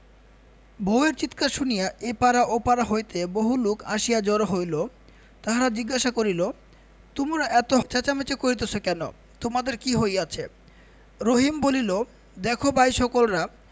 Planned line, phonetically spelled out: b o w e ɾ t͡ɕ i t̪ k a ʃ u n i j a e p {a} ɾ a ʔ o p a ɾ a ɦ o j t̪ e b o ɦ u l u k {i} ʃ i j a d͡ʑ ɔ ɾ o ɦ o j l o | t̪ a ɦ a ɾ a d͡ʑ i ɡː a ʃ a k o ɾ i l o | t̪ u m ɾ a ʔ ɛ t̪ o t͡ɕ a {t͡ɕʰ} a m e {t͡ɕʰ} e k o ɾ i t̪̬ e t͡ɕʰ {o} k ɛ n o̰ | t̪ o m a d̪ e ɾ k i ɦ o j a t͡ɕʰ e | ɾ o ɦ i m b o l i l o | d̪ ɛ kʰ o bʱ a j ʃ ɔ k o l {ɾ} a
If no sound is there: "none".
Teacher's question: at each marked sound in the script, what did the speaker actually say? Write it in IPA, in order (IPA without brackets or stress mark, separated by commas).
a, a, t͡ɕ, t͡ɕ, o, ɾ